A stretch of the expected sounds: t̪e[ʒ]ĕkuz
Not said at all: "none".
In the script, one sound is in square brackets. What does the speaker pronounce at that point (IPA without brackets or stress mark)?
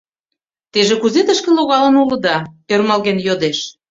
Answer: ʒ